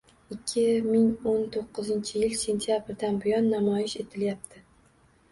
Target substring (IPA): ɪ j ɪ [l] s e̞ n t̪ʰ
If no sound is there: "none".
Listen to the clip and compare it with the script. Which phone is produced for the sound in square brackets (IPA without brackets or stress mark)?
l